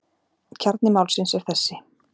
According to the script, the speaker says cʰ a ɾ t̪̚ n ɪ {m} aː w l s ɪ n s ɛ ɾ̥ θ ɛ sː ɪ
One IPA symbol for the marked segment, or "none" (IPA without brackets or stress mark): m